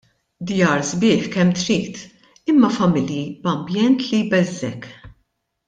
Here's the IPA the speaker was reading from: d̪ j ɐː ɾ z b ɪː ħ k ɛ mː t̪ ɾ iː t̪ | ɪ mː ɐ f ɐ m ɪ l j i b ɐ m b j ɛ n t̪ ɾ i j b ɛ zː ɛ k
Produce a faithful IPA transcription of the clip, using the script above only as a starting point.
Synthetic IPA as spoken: d̪ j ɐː ɾ z b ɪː ħ k ɛ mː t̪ ɾ iː t̪ | ɪ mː ɐ f ɐ m ɪ l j i b ɐ m b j ɛ n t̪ l i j b ɛ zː ɛ k